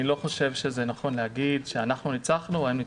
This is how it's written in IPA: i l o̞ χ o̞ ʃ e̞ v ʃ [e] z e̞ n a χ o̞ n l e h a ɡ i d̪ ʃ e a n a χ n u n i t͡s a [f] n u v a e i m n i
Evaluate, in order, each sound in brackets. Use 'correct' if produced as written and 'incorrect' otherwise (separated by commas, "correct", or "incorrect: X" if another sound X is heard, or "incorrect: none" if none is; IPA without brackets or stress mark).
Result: correct, incorrect: χ